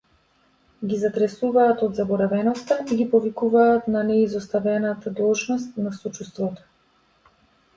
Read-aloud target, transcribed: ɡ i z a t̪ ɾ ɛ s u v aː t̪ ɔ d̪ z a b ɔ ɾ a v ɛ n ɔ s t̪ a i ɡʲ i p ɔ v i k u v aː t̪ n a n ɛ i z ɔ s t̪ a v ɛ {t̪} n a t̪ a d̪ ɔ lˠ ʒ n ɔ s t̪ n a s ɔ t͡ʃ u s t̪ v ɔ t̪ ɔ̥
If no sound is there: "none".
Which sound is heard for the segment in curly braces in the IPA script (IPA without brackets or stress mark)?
none